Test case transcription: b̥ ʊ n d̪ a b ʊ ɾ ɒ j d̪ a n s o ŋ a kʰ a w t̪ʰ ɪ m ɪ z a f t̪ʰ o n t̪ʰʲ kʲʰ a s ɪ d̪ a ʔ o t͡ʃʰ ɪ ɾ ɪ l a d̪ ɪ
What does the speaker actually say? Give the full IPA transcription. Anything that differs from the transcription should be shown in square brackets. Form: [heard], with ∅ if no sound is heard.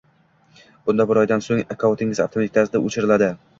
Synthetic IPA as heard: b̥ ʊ n d̪ a b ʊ ɾ ɒ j d̪ a n s o ŋ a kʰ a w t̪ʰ ɪ [ŋ] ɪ z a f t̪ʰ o [m] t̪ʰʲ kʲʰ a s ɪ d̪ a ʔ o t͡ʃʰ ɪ ɾ ɪ l a d̪ ɪ